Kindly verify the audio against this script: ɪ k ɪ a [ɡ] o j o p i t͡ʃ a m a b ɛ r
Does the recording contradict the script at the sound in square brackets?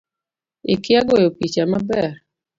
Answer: no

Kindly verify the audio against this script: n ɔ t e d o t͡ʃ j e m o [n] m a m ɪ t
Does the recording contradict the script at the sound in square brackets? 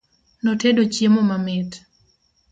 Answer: yes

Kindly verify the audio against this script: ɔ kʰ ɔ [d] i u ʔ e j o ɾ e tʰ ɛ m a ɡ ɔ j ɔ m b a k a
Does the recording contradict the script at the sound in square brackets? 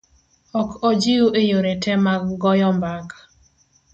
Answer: yes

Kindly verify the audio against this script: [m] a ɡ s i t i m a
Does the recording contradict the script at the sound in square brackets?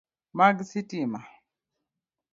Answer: no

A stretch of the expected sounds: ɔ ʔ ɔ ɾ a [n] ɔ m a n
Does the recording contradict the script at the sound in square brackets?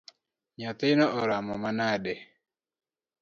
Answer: yes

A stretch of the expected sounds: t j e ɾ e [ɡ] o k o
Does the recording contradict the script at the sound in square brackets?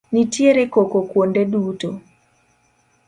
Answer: yes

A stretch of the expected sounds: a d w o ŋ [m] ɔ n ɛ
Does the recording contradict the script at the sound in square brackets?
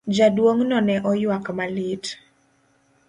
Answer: yes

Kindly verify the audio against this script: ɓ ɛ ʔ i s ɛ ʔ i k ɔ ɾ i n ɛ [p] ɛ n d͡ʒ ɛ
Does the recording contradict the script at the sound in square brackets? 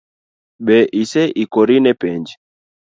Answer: no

